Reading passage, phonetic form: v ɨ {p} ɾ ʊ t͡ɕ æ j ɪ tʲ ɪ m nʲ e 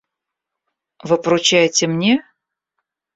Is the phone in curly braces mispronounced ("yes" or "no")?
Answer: no